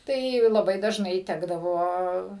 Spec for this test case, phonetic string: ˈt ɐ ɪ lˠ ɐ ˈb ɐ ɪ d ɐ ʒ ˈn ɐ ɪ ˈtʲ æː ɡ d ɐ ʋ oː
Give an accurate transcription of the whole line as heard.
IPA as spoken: ˈt ɐ ɪ lˠ ɐ ˈb ɐ ɪ d ɐ ʒ ˈn ɐ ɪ ˈtʲ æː ɡ d ɐ ʋ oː